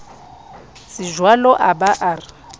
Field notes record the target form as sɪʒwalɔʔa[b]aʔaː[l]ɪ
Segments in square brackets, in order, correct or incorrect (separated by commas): correct, incorrect